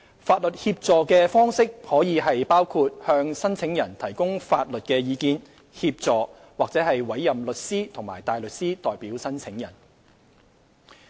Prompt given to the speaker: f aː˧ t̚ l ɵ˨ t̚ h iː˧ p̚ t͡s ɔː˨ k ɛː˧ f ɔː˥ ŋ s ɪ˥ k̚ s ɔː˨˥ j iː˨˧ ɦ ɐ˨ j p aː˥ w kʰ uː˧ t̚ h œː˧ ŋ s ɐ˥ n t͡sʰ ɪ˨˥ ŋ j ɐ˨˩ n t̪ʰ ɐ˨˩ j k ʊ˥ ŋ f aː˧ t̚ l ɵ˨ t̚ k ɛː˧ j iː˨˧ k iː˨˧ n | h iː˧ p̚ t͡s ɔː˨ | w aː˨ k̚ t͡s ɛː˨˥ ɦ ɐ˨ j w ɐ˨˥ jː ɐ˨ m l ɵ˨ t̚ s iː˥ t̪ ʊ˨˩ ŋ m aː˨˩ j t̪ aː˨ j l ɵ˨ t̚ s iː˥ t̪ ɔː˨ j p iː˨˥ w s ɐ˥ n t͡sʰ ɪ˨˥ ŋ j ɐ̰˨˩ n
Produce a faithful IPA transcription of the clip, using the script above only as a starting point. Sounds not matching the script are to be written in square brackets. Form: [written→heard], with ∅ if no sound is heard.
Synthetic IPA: f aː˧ t̚ l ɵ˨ t̚ h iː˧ p̚ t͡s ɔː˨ k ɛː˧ f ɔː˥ ŋ s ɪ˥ k̚ [s→h] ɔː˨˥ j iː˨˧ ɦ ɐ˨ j p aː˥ w kʰ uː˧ t̚ h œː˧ ŋ s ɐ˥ n t͡sʰ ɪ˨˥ ŋ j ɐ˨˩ n t̪ʰ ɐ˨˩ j k ʊ˥ ŋ f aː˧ t̚ l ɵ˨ t̚ k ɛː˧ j iː˨˧ k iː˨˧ n | h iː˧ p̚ t͡s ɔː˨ | w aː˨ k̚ t͡s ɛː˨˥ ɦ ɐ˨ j w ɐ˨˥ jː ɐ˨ m l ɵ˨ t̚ s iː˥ [t̪→t̪ʰ] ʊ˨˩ ŋ m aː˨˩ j t̪ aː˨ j l ɵ˨ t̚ s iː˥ t̪ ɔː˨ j p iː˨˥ w s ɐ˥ n t͡sʰ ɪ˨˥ ŋ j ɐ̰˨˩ n